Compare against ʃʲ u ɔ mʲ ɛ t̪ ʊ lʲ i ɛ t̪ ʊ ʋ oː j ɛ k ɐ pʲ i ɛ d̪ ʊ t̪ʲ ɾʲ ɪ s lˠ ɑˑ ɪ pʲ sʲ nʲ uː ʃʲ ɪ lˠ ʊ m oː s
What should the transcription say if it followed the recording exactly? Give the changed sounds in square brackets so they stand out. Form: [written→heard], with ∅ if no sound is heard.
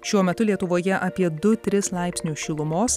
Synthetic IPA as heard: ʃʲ u ɔ mʲ ɛ t̪ ʊ lʲ i ɛ t̪ ʊ ʋ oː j ɛ [k→ʔ] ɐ pʲ i ɛ d̪ ʊ t̪ʲ ɾʲ ɪ s lˠ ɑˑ ɪ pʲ sʲ nʲ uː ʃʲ ɪ lˠ ʊ m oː s